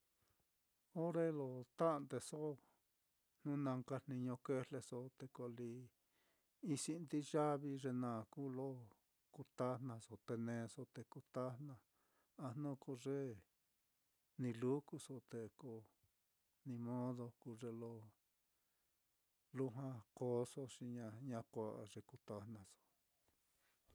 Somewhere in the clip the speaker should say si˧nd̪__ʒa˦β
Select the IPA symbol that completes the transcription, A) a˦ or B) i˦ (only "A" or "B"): B